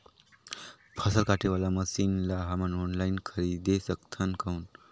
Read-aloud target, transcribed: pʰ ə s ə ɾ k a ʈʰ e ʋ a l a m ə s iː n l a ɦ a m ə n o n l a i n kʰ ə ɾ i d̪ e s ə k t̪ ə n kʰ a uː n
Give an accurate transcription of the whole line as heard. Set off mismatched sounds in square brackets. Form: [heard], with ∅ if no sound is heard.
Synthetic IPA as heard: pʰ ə s ə [l] k a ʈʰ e ʋ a l a m ə s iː n l a ɦ a m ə n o n l a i n kʰ ə ɾ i d̪ e s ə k [t̪ʰ] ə n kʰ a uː n